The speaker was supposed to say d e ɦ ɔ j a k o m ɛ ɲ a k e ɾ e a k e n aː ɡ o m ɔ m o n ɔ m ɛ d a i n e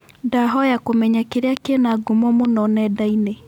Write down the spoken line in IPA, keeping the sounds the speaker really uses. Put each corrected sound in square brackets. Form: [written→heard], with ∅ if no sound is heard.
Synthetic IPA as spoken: d [e→a] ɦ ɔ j a k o m ɛ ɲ a k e ɾ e a k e n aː ɡ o m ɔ m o n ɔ [m→n] ɛ d a i n e